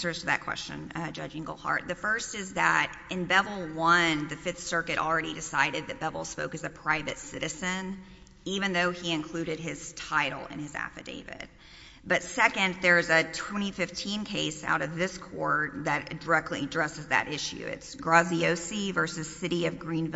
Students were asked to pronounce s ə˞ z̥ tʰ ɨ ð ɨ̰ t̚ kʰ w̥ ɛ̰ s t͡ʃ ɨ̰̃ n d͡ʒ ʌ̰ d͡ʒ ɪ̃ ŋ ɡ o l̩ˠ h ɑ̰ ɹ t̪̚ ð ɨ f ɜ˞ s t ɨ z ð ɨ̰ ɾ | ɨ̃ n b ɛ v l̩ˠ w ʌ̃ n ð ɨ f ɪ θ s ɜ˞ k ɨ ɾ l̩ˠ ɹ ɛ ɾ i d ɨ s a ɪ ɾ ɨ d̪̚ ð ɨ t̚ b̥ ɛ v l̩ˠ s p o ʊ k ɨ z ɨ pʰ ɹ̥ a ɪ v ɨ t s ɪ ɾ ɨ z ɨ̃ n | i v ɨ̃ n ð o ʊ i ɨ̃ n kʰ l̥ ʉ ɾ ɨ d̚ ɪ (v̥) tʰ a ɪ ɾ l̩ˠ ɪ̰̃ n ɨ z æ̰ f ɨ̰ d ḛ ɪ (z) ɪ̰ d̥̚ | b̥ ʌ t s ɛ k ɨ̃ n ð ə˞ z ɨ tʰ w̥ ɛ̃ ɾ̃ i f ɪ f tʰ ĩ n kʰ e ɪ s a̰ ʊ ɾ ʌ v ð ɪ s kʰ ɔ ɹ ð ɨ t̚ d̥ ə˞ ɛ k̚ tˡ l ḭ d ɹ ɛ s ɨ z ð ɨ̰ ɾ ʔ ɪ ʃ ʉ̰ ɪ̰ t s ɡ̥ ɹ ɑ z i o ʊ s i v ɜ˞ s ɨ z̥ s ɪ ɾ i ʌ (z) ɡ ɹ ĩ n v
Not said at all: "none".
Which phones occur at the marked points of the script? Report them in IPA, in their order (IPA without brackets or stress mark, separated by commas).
z̥, v, v